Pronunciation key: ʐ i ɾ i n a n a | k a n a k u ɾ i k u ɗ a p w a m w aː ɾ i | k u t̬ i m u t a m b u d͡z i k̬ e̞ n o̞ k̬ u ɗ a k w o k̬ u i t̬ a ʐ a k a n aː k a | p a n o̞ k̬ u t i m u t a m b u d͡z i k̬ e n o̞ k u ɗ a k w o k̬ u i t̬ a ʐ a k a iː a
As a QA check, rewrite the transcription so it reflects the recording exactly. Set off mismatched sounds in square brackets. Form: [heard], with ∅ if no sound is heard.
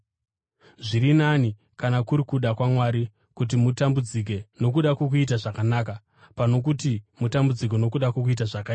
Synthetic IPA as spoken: ʐ i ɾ i n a n [i] | k a n a k u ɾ i k u ɗ a [k] w a m w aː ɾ i | k u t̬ i m u t a m b u d͡z i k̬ e̞ n o̞ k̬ u ɗ a k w o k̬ u i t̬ a ʐ a k a n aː k a | p a n o̞ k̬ u t i m u t a m b u d͡z i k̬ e n o̞ k u ɗ a k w o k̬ u i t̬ a ʐ a k a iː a